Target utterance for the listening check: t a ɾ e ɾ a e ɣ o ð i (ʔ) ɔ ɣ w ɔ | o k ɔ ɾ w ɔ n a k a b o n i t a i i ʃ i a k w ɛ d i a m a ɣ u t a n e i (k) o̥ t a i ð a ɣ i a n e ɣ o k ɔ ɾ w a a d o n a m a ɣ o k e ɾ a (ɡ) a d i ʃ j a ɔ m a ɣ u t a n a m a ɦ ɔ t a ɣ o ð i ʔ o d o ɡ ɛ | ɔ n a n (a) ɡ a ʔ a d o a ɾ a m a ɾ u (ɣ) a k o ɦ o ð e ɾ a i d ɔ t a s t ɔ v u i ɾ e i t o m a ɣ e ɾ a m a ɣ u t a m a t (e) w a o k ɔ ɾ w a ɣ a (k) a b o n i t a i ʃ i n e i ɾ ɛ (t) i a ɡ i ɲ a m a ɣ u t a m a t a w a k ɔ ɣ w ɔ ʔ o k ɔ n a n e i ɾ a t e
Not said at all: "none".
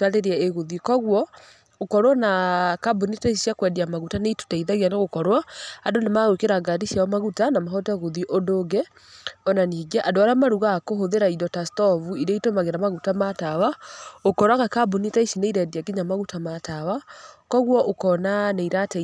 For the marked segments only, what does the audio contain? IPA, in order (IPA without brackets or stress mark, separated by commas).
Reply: k, t, ɡ, i, ɣ, a, k, d